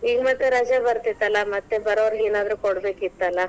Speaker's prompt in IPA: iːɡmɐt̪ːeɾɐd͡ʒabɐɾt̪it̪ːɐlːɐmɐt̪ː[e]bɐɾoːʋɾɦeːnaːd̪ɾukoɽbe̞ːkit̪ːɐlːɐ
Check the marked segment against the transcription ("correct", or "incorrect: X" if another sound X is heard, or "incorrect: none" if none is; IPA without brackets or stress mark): correct